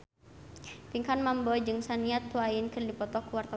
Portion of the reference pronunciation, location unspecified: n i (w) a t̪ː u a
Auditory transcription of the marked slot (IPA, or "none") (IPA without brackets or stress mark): none